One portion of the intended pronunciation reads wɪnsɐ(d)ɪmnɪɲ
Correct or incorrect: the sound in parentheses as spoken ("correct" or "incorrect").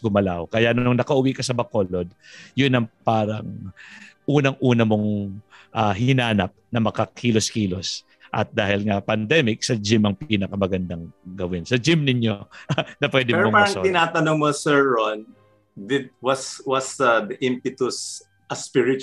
incorrect